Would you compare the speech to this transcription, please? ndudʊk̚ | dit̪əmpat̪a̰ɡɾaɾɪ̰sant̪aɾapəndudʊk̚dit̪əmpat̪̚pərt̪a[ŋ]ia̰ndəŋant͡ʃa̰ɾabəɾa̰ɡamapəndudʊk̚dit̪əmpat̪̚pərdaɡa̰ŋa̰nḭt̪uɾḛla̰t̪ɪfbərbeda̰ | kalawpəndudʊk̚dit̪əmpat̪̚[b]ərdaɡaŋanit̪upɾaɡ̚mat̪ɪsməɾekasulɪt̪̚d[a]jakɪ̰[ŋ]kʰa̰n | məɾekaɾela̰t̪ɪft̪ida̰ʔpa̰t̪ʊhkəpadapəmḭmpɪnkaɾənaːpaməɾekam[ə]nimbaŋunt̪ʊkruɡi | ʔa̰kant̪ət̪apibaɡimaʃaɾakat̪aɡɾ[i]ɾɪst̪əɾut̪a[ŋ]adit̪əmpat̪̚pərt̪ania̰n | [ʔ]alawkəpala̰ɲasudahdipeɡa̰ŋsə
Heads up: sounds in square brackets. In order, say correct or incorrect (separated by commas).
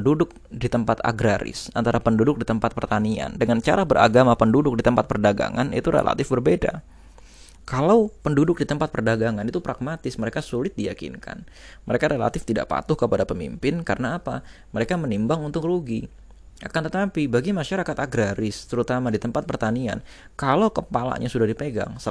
incorrect, incorrect, incorrect, incorrect, correct, incorrect, incorrect, incorrect